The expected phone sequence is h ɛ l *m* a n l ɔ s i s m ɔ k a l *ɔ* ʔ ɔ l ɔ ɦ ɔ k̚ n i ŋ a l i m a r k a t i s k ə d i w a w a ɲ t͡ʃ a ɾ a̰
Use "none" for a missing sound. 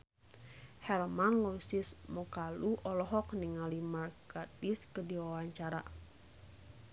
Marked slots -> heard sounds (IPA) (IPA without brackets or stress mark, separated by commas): m, u